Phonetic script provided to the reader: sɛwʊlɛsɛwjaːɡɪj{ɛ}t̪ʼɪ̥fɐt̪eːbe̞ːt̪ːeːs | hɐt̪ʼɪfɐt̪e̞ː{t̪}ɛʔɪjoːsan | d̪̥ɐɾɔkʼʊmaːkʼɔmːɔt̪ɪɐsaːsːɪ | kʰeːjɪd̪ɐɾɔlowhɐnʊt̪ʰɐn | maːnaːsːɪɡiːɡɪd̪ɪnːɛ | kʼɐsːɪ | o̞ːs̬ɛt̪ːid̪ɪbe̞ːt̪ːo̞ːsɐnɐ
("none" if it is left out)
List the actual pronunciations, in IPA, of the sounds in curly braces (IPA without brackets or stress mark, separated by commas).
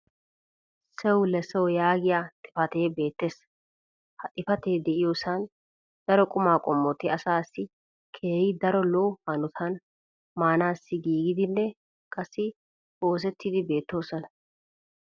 a, d̪